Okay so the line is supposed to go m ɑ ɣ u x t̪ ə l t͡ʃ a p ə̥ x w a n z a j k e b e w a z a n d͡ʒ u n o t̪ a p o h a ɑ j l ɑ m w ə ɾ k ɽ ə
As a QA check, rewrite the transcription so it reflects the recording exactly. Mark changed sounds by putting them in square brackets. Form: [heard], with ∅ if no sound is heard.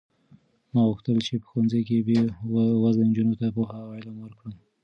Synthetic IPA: m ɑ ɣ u x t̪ ə l t͡ʃ [e] p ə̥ x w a n z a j k e b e w a z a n d͡ʒ u n o t̪ a p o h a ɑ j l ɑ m w ə ɾ k ɽ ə